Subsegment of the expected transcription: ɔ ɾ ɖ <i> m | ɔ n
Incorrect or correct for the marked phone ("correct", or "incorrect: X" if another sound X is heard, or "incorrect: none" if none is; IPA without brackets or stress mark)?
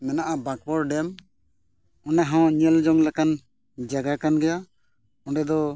incorrect: ɛ